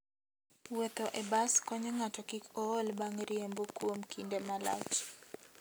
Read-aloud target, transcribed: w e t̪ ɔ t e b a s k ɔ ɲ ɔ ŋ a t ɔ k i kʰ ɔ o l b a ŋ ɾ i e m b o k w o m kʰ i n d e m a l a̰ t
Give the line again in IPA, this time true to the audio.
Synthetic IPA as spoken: w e t̪ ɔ ʔ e b a s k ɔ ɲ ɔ ŋ a t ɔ k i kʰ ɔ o l b a ŋ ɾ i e m b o k w o m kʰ i n d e m a l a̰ t͡ʃ